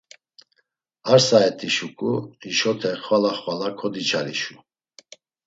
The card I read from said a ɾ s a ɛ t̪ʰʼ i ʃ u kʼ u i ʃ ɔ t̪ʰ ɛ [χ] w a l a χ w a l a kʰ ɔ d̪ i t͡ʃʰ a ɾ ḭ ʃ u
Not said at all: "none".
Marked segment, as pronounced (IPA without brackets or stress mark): χ